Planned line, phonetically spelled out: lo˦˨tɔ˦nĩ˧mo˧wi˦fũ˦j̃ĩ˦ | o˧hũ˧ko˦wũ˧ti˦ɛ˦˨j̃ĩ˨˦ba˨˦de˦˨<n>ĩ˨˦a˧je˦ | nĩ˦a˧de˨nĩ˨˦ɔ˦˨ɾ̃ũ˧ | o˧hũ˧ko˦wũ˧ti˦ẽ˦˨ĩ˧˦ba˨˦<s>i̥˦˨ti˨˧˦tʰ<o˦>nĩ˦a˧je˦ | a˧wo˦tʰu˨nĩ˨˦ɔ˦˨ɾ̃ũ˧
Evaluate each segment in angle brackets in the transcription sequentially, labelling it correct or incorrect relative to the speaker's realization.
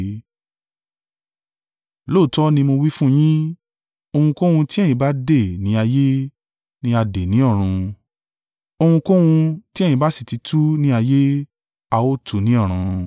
correct, correct, incorrect: u˦

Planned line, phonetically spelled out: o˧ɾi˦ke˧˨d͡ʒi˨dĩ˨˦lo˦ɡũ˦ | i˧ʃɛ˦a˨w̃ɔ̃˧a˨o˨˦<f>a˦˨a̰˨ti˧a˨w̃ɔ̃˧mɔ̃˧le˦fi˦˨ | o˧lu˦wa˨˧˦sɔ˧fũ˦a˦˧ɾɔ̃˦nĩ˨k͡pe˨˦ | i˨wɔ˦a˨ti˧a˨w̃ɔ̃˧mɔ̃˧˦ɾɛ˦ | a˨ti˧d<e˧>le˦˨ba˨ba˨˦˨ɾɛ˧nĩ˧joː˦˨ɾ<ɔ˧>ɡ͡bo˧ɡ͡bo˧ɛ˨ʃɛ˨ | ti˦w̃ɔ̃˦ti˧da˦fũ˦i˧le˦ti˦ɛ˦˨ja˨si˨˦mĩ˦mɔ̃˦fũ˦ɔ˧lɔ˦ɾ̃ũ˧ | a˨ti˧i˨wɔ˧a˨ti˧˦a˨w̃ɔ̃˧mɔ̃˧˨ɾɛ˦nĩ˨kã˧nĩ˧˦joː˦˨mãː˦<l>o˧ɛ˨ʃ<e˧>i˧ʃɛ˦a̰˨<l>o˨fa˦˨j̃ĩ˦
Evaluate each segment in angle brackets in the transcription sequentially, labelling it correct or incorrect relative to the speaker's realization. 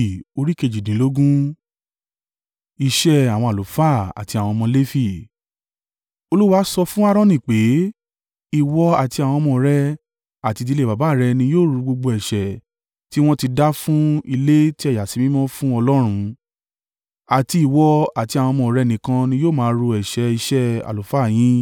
correct, incorrect: i˧, incorrect: u˧, incorrect: ɾ, incorrect: ɛ˧, correct

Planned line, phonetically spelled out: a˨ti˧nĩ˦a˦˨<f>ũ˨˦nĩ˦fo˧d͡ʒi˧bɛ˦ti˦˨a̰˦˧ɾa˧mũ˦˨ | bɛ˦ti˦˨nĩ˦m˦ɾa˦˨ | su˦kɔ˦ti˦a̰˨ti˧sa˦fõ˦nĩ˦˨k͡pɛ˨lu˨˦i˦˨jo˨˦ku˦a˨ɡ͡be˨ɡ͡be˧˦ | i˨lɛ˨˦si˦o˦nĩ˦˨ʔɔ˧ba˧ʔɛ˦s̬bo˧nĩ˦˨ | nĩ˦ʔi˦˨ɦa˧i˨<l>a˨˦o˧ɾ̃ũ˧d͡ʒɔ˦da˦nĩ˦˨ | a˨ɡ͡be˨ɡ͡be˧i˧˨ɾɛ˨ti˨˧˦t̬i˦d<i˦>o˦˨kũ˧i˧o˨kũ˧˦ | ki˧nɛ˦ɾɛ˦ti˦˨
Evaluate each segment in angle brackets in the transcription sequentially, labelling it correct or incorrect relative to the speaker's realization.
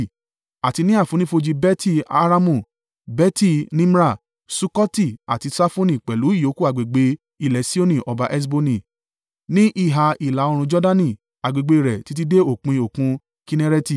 correct, correct, incorrect: e˦

